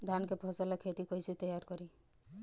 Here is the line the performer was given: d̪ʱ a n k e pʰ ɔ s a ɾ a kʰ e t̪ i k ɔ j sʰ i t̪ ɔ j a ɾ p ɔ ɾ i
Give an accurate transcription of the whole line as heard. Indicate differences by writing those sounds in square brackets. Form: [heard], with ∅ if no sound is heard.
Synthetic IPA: d̪ʱ a n k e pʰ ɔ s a [l] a kʰ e t̪ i k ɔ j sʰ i t̪ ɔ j a ɾ [k] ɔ ɾ i